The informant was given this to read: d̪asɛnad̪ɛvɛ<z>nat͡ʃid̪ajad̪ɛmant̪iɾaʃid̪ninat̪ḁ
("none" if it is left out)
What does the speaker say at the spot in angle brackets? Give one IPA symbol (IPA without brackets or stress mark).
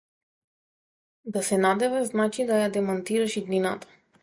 z